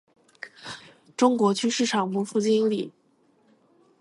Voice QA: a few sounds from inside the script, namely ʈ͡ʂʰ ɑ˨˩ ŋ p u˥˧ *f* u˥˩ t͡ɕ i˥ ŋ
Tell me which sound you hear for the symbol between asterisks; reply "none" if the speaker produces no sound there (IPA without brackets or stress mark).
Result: f